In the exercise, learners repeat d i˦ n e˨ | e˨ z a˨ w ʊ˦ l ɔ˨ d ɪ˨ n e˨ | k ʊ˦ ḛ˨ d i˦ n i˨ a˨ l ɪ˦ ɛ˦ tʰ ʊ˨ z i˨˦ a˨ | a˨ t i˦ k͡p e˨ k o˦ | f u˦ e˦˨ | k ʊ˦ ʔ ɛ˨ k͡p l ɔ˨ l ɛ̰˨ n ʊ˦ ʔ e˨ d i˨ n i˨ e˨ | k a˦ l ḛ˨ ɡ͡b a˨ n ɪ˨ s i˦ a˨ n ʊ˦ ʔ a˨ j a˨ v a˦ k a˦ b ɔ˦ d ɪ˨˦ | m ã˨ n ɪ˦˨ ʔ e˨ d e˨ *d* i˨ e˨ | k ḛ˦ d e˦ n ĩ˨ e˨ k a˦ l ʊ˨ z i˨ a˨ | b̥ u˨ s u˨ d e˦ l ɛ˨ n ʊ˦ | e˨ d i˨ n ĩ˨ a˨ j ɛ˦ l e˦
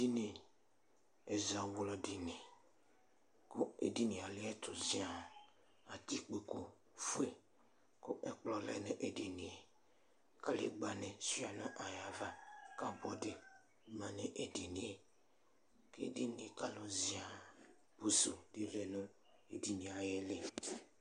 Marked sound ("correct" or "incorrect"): incorrect